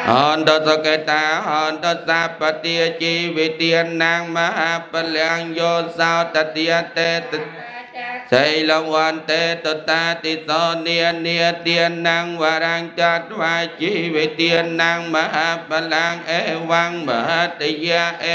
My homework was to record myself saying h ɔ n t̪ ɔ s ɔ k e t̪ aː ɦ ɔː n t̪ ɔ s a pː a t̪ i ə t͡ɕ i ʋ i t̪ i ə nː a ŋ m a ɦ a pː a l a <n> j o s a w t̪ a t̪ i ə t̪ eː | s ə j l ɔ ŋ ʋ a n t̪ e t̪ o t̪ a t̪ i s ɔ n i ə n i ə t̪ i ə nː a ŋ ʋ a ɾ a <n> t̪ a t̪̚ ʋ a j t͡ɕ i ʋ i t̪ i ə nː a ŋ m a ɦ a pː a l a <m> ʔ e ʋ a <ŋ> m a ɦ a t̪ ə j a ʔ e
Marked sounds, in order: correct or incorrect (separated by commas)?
incorrect, incorrect, incorrect, correct